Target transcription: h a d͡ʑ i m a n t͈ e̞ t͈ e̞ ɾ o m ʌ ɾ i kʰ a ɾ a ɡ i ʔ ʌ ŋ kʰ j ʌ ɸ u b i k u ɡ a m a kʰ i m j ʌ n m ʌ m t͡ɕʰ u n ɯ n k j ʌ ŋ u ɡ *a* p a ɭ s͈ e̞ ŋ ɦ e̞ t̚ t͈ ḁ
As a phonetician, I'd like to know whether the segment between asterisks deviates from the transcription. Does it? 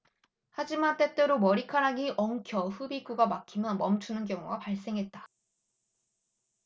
no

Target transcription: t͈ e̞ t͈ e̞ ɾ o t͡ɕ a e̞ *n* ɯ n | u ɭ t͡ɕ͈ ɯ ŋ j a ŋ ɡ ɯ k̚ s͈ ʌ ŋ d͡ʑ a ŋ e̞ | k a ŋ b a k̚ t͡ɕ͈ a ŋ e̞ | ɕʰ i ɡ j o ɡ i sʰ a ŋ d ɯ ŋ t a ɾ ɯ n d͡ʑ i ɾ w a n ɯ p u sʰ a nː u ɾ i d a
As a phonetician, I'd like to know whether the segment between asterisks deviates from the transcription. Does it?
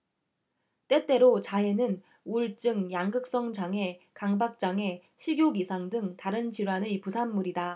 no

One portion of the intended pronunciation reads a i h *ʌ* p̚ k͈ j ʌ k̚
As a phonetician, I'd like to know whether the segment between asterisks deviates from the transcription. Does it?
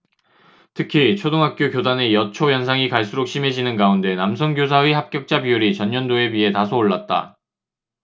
yes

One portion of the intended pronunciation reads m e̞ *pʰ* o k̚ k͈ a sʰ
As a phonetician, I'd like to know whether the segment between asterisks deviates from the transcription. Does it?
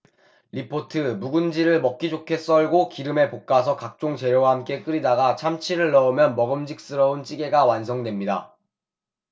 yes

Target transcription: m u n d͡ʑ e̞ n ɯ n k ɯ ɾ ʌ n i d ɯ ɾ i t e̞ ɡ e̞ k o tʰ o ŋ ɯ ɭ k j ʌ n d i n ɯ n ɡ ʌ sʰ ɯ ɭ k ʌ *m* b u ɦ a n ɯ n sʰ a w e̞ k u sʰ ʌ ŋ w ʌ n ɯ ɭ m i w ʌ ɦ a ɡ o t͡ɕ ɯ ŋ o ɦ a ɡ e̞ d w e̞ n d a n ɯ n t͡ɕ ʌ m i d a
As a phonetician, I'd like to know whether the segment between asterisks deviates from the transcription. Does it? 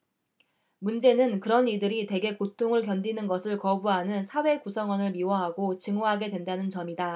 yes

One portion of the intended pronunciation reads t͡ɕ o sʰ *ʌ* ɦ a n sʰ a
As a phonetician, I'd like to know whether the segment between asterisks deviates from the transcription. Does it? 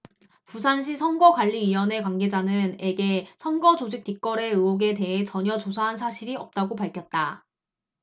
yes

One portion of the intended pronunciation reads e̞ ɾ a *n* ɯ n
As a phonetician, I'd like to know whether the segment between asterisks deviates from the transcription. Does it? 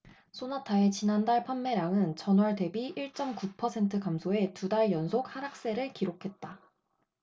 yes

